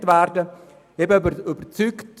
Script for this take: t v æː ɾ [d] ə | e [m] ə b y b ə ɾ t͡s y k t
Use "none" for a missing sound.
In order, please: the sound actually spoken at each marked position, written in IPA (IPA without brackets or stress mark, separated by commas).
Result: d, b